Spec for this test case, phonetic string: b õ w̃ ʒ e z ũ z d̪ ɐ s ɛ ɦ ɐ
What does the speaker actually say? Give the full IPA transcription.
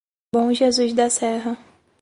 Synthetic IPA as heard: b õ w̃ ʒ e z u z d̪ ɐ s ɛ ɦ ɐ